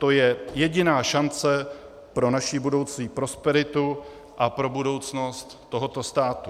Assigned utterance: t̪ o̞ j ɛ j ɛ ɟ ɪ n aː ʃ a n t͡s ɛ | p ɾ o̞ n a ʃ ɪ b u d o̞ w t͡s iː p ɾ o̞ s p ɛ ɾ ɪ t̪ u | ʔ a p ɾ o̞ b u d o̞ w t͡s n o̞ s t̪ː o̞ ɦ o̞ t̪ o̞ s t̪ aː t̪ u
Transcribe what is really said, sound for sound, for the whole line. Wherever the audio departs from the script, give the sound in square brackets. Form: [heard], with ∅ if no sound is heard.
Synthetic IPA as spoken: t̪ o̞ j ɛ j ɛ ɟ ɪ n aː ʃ a n t͡s ɛ | p ɾ o̞ n a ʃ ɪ b u d o̞ w t͡s iː p ɾ o̞ s p ɛ ɾ ɪ t̪ u | ʔ a p ɾ o̞ b u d o̞ w t͡s n o̞ s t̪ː o̞ ɦ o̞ t̪ o̞ s t̪ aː t̪ u